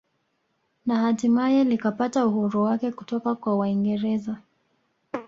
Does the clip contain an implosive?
no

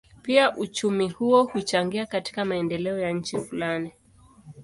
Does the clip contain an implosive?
no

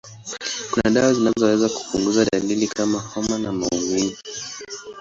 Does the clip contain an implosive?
yes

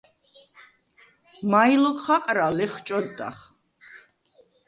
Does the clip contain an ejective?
yes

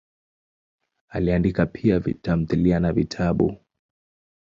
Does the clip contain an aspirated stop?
yes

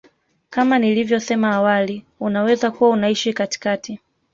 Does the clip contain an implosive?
no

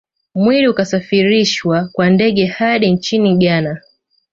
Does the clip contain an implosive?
yes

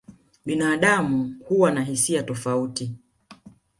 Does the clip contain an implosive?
yes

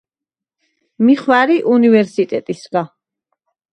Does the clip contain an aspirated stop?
no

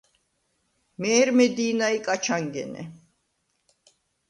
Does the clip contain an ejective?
yes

